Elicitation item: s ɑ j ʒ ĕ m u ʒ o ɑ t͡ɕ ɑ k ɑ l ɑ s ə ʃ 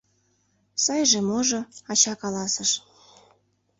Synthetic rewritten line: s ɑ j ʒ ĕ m o ʒ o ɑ t͡ɕ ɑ k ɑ l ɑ s ə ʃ